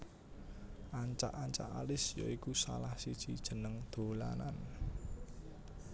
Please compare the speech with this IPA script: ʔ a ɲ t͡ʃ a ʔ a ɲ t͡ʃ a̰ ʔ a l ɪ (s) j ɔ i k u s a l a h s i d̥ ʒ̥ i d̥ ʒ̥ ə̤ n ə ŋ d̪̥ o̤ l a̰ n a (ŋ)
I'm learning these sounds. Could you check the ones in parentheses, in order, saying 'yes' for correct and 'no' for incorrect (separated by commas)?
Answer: yes, no